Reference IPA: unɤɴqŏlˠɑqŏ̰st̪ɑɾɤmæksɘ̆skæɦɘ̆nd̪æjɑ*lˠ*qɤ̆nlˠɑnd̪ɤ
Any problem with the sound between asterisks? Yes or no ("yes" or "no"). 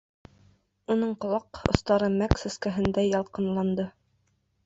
no